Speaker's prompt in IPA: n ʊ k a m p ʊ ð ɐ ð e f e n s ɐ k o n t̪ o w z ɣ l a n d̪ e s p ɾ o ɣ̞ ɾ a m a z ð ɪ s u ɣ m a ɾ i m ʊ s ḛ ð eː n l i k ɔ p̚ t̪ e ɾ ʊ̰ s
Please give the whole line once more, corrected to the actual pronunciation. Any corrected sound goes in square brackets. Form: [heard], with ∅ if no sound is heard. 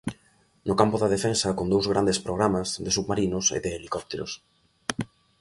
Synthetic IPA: n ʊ k a m p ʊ ð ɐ ð e f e n s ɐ k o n [d̪] o w z ɣ [ɾ] a n d̪ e s p ɾ o ɣ̞ ɾ a m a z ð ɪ s u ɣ m a ɾ i [n] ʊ s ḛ ð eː [∅] l i k ɔ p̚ t̪ e ɾ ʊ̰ s